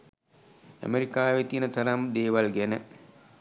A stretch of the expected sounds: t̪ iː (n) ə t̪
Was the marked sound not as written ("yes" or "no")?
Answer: no